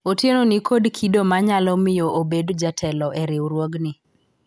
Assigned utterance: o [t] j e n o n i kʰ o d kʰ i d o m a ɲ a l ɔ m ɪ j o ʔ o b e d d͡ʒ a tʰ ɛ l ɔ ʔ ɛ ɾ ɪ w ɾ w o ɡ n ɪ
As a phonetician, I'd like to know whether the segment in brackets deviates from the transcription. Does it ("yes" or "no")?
no